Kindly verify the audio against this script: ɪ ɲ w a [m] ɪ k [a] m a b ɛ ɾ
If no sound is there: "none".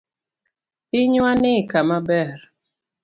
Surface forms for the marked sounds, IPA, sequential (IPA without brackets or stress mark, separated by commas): n, a